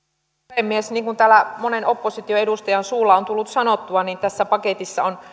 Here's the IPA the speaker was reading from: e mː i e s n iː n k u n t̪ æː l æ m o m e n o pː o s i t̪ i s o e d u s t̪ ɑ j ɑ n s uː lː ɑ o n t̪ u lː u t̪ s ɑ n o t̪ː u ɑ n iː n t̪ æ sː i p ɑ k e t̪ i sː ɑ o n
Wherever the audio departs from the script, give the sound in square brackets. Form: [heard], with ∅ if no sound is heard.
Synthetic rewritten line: e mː i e s n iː [ŋ] k u n t̪ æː l æ m o [n] e n o pː o s i t̪ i [∅] o e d u s t̪ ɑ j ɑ n s uː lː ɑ o n t̪ u lː u t̪ s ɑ n o t̪ː u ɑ n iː n t̪ æ sː [æ] p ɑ k e t̪ i sː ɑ o n